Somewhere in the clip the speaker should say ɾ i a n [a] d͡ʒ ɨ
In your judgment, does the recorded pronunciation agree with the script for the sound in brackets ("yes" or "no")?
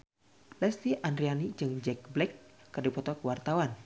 no